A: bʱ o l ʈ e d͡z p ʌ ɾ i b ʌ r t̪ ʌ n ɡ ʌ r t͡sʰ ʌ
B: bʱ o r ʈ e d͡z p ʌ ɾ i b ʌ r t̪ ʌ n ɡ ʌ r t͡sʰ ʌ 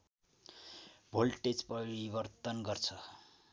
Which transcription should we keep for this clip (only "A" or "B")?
A